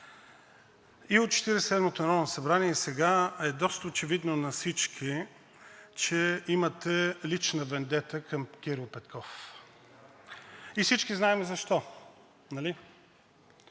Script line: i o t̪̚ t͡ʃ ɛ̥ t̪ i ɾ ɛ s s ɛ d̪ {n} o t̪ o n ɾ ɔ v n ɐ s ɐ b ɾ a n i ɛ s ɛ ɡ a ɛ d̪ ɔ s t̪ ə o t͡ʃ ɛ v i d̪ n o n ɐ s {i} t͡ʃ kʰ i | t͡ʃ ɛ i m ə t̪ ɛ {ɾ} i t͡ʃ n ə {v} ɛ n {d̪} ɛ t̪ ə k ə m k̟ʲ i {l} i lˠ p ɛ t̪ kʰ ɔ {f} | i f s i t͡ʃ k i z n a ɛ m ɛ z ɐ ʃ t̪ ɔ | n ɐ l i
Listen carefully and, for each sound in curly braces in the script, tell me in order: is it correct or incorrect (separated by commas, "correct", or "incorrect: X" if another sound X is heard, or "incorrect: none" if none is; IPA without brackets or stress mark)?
incorrect: m, correct, incorrect: l, correct, correct, incorrect: ɾ, correct